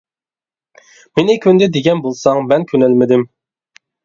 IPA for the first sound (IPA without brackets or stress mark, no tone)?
m